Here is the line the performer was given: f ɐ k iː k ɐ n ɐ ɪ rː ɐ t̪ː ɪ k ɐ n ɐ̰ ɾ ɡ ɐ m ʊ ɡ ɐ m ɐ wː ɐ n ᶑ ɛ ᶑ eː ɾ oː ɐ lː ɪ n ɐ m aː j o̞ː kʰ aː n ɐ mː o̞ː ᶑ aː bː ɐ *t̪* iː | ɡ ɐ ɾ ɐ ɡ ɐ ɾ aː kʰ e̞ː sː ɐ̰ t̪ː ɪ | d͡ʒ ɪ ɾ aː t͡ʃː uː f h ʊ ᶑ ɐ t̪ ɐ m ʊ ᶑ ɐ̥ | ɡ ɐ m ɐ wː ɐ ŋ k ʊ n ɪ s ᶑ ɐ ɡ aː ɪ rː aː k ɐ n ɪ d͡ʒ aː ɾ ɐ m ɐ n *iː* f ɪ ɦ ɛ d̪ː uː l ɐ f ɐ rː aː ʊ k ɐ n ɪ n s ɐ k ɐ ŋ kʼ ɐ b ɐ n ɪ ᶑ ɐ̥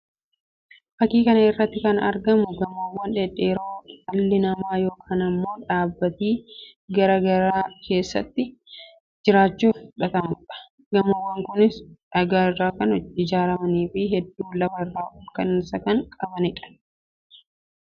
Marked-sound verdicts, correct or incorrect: correct, correct

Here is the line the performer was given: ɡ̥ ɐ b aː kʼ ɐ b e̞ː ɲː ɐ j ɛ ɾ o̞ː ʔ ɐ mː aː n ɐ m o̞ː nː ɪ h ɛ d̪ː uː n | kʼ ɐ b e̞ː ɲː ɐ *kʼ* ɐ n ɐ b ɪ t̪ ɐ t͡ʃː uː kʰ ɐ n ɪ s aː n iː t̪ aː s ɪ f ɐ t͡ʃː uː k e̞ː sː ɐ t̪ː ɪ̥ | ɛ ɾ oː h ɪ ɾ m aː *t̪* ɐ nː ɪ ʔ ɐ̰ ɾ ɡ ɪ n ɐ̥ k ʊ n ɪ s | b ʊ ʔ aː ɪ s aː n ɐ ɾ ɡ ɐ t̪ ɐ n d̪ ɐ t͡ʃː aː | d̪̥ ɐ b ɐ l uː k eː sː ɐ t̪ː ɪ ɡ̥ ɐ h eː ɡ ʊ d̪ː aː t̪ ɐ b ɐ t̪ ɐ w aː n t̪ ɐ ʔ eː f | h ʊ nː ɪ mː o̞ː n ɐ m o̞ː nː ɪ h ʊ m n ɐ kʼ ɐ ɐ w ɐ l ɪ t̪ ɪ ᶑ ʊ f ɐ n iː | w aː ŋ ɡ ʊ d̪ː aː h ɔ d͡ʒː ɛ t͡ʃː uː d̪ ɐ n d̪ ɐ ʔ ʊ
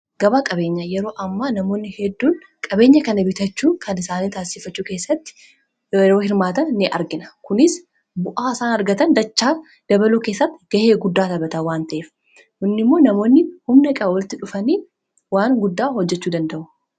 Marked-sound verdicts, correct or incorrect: incorrect: k, correct

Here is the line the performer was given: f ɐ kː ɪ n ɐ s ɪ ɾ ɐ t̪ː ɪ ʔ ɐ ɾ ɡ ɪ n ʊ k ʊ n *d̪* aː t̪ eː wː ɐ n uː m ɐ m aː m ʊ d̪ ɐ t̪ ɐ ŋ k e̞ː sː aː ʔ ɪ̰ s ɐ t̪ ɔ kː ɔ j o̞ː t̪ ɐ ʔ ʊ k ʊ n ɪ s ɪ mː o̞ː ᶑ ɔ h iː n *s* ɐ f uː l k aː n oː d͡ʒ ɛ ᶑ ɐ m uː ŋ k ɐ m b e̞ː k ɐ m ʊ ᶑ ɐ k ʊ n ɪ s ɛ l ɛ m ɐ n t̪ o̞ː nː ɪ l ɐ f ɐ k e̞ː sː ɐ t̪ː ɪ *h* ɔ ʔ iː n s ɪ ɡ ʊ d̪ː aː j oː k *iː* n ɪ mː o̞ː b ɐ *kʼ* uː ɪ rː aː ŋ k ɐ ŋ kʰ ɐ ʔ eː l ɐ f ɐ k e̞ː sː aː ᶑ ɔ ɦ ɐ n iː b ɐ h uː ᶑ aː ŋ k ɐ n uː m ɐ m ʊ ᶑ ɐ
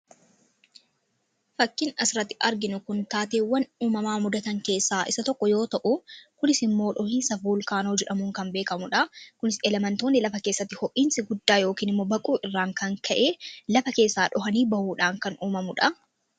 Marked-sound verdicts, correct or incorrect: incorrect: t̪, correct, correct, correct, correct

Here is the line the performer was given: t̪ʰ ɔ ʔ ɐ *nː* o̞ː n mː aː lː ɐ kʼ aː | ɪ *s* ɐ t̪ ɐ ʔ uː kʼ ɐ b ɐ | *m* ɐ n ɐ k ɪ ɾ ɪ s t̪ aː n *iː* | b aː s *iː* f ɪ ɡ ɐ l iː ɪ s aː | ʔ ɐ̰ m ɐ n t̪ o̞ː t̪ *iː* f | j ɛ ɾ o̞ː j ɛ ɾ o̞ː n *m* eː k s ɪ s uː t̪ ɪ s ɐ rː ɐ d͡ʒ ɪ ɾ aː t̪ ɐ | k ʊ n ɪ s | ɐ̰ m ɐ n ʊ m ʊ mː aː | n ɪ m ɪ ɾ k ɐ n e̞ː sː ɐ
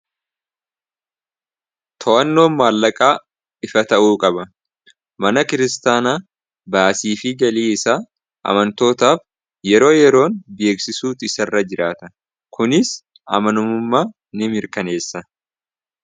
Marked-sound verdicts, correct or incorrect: correct, incorrect: f, correct, incorrect: aː, correct, incorrect: aː, incorrect: b

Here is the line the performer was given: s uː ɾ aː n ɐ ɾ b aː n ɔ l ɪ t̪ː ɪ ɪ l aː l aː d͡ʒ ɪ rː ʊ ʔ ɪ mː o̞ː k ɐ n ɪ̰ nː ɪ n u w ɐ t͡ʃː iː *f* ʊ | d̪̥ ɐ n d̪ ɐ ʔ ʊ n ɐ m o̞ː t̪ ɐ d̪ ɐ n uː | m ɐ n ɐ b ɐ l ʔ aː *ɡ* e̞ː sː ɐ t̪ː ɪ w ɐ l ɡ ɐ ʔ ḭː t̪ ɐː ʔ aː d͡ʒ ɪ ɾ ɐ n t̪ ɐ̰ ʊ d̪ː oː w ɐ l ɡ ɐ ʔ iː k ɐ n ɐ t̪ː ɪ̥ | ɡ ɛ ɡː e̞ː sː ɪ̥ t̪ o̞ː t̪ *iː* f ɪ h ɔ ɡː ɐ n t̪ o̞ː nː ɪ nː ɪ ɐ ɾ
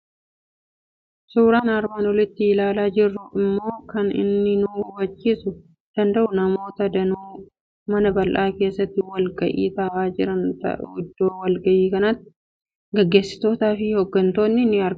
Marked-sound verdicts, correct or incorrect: incorrect: s, incorrect: k, incorrect: aː

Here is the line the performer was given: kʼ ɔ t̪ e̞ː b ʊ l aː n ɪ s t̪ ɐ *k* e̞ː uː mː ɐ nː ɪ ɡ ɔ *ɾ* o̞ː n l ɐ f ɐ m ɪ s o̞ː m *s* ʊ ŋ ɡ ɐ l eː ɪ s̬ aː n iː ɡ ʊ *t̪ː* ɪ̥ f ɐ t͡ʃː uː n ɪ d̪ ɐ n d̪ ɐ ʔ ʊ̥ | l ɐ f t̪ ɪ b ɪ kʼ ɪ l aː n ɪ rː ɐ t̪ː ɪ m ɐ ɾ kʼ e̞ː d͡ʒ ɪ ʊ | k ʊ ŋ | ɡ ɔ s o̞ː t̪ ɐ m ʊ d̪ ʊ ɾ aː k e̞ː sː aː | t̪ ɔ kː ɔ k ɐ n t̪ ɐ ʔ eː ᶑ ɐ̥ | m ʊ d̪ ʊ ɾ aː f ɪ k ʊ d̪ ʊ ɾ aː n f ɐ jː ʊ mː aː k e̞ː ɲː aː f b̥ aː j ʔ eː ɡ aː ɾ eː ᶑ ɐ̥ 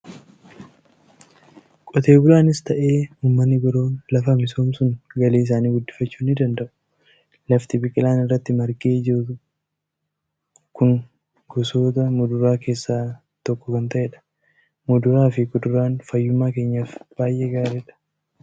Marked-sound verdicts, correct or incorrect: incorrect: ʔ, correct, correct, incorrect: d̪ː

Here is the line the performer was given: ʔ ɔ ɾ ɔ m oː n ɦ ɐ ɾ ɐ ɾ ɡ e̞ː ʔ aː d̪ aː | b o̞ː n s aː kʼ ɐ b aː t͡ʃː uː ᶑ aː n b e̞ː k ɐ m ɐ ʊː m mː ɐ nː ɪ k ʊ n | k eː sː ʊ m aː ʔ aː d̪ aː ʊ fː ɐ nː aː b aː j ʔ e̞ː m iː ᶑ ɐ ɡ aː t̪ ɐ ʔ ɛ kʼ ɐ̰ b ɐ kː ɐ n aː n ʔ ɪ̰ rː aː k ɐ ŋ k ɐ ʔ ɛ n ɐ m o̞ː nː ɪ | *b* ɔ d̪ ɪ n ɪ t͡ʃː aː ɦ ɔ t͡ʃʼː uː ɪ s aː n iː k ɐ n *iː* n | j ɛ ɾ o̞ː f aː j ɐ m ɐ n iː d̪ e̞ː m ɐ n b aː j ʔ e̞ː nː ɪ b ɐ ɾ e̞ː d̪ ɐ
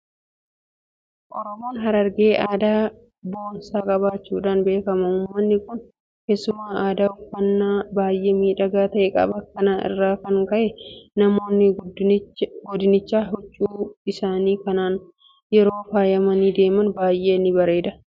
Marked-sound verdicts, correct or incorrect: incorrect: ɡ, incorrect: aː

